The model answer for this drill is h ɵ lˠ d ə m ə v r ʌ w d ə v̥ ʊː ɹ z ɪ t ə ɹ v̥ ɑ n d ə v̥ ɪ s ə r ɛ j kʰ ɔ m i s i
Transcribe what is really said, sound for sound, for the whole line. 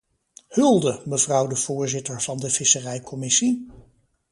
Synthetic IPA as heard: h ɵ lˠ d ə m ə v r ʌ w d ə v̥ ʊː ɹ z ɪ t ə ɹ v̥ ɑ n d ə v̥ ɪ s ə r ɛ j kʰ ɔ m ɪ s i